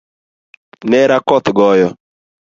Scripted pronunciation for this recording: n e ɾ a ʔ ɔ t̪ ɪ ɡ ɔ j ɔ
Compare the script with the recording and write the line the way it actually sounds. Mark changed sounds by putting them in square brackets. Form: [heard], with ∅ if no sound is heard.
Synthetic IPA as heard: n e ɾ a [k] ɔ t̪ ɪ ɡ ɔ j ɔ